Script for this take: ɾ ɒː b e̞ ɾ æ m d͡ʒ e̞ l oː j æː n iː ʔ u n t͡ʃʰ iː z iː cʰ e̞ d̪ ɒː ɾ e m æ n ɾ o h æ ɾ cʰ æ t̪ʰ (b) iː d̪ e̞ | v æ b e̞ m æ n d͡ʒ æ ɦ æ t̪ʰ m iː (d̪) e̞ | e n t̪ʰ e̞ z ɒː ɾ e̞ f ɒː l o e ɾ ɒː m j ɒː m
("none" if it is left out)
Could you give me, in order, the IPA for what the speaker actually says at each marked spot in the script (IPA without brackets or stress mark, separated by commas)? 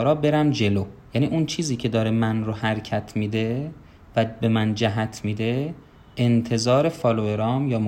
m, d̪